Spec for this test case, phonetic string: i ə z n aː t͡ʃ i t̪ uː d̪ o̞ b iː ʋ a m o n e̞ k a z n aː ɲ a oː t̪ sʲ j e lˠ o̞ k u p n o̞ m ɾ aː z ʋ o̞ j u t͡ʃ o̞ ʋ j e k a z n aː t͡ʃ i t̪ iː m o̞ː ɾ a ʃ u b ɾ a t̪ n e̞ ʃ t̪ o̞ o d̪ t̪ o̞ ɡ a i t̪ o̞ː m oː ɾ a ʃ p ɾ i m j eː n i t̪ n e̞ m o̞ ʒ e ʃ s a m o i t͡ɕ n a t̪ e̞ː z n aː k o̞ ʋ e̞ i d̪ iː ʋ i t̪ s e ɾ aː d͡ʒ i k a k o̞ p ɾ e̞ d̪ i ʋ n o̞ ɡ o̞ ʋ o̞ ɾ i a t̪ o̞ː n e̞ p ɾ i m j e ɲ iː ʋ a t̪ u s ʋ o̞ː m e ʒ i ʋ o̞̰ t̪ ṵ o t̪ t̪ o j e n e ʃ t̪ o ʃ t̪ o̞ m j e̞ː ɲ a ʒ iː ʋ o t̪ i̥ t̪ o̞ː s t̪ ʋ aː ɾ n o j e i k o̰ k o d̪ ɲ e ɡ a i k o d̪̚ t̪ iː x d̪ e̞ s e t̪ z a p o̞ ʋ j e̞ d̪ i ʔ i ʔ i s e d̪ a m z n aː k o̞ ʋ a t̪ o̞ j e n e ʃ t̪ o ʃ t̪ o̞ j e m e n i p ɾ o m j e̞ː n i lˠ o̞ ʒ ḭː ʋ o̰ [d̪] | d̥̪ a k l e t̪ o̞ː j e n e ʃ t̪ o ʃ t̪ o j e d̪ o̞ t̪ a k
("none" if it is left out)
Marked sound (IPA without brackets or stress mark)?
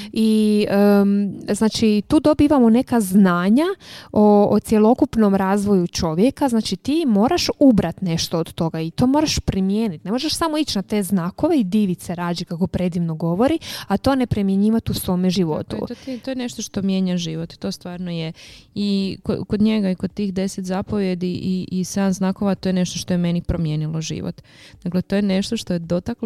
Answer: t̪